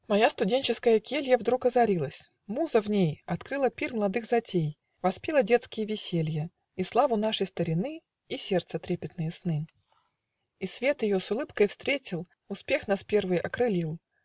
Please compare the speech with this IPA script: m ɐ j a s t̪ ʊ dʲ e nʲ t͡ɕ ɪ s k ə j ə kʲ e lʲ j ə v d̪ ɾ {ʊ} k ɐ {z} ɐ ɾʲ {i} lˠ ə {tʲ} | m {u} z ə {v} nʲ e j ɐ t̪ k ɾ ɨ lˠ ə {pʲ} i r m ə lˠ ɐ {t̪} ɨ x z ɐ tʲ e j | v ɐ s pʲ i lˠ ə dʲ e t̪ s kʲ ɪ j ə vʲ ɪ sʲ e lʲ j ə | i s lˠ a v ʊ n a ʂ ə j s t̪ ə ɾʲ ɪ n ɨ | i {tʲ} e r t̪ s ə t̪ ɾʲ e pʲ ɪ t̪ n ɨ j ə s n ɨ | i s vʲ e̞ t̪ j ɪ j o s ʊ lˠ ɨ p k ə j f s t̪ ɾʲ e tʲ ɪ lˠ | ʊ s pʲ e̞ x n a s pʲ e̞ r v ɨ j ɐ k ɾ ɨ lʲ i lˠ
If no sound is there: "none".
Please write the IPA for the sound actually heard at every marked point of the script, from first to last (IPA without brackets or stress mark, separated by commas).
u, z, i, sʲ, u, v, pʲ, d̪, sʲ